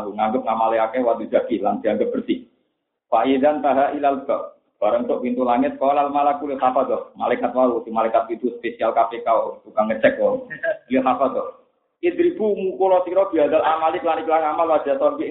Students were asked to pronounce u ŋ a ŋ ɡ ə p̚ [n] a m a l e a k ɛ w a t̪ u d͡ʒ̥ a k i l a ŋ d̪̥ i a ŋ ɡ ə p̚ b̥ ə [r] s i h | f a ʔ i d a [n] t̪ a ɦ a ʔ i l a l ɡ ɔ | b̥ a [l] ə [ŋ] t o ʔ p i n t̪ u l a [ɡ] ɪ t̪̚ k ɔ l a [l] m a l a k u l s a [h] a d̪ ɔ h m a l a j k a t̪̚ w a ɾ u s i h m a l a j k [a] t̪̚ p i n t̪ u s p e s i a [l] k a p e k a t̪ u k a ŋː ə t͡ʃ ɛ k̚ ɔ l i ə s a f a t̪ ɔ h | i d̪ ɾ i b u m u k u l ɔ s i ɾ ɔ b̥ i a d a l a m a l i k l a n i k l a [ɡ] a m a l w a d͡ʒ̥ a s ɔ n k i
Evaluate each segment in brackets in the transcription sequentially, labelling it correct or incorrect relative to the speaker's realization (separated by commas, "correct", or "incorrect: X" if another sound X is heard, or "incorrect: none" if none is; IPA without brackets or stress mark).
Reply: incorrect: ŋ, correct, correct, incorrect: ɾ, correct, incorrect: ŋ, correct, incorrect: f, correct, correct, incorrect: ŋ